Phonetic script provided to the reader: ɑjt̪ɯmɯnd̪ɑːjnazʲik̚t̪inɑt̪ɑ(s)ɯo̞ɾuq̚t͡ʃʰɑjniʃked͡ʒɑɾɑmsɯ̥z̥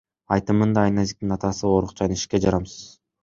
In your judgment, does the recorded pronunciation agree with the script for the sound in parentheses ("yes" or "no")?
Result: yes